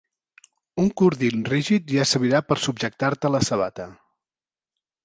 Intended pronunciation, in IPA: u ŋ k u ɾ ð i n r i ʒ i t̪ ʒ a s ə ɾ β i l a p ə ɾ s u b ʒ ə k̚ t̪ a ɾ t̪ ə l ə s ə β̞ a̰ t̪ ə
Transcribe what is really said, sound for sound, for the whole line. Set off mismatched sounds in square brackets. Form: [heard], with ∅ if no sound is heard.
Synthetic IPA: u ŋ k u ɾ ð i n r i ʒ i t̪ ʒ a s ə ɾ β i [ɾ] a p ə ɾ s u b ʒ ə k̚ t̪ a ɾ t̪ ə l ə s ə β̞ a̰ t̪ ə